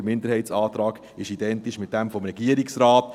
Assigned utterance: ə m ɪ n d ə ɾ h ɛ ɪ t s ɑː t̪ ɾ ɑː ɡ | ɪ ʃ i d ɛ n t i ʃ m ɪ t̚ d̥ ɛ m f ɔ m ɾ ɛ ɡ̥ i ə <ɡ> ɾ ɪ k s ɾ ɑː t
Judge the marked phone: incorrect: none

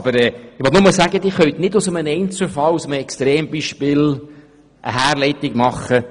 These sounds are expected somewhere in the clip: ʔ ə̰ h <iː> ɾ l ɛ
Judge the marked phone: incorrect: æː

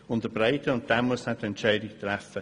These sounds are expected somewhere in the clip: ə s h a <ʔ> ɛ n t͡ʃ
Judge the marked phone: incorrect: t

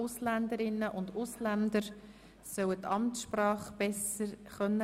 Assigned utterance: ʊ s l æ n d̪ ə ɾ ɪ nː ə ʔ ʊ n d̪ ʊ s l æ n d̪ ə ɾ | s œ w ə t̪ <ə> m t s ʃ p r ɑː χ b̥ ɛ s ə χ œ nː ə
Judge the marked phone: incorrect: ɑ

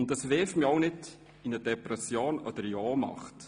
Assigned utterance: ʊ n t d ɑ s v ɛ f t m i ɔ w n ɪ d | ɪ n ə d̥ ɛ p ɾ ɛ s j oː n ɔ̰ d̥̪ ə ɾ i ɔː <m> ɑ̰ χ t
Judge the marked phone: correct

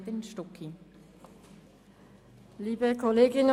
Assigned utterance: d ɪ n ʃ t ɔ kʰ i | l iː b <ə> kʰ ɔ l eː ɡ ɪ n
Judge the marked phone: correct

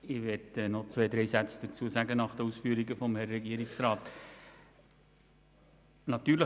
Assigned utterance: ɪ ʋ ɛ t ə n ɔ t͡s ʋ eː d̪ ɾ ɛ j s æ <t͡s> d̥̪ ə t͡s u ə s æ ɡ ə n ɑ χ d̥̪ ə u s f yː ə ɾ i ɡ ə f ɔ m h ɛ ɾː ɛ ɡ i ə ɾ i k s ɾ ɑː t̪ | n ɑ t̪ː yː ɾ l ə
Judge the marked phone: correct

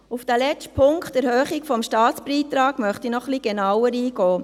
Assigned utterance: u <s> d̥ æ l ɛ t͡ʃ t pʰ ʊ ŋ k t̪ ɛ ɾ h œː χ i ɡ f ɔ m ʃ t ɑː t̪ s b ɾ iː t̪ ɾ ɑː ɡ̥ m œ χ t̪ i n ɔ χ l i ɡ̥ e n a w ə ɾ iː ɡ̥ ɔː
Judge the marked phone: incorrect: f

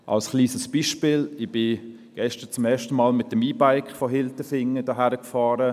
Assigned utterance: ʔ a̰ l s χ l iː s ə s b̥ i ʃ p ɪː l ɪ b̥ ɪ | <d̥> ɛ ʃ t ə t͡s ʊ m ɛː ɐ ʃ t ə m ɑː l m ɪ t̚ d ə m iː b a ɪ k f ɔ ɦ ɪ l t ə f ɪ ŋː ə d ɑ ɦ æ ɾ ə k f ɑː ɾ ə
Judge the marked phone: incorrect: ɡ̥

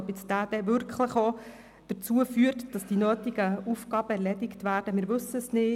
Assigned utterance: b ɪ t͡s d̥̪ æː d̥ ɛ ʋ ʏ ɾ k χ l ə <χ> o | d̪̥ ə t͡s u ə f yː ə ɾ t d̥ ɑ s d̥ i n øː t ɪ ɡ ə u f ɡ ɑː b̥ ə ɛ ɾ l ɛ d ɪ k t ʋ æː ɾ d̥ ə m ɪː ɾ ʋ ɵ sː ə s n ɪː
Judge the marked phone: correct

